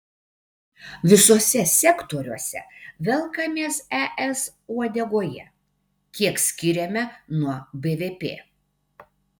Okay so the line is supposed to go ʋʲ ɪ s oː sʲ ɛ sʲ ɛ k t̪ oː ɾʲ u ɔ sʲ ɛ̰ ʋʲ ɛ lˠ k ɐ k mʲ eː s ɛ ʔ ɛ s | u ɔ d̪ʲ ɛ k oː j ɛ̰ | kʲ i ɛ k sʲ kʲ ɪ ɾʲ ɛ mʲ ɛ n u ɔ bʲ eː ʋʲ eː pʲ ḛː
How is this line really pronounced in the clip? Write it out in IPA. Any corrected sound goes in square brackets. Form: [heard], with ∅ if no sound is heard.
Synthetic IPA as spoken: ʋʲ ɪ s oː sʲ ɛ sʲ ɛ k t̪ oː ɾʲ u ɔ sʲ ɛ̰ ʋʲ ɛ lˠ k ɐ [∅] mʲ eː s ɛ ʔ ɛ s | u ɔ d̪ʲ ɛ [ɡ] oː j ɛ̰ | kʲ i ɛ k sʲ kʲ ɪ ɾʲ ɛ mʲ ɛ n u ɔ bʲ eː ʋʲ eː pʲ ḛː